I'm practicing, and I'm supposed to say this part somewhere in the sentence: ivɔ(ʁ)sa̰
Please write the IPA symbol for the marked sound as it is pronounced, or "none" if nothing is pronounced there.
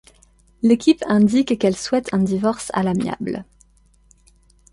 ʁ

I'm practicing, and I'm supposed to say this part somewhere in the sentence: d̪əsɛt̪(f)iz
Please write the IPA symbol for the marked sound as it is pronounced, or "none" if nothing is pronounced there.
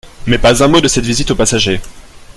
v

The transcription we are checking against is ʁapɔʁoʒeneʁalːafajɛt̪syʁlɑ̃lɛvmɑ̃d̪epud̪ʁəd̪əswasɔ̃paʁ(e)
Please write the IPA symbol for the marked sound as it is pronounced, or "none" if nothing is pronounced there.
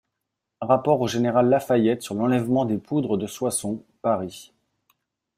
i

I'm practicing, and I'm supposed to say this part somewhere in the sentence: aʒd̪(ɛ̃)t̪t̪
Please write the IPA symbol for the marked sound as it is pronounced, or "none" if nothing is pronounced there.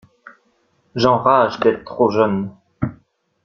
ɛ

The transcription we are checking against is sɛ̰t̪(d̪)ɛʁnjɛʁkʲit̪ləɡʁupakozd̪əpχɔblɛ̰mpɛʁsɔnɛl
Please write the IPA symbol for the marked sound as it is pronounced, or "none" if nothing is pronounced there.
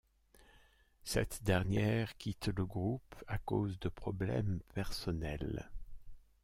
d̪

